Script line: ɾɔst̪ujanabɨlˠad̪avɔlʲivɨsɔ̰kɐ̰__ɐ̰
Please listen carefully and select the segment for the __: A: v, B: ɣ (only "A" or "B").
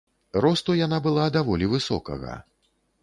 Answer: B